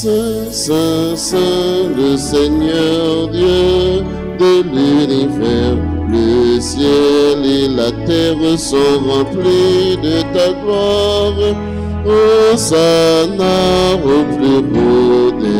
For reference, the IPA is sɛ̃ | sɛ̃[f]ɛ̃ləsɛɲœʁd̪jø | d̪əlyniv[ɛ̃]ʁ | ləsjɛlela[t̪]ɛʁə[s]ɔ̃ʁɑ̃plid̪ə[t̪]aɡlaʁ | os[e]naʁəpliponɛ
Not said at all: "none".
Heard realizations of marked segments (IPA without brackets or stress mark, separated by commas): s, ɛ, t̪, s, t̪, a